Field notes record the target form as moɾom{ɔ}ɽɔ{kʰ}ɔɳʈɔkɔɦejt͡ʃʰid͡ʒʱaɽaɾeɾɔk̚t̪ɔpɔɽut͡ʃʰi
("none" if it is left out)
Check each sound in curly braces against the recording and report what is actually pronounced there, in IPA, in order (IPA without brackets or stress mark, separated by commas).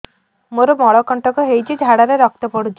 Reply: ɔ, k